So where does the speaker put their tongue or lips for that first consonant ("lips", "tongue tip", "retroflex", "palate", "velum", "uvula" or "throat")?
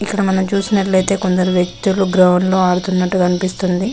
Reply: velum